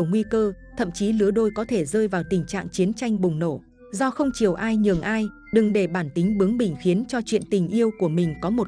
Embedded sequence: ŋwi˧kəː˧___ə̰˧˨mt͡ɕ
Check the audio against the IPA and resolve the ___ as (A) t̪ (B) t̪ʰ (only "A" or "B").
B